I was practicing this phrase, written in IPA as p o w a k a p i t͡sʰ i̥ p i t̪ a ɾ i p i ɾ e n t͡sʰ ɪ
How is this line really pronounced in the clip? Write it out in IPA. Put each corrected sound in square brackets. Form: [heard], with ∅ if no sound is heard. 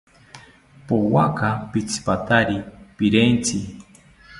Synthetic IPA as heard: p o w a k a p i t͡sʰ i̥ p [a] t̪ a ɾ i p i ɾ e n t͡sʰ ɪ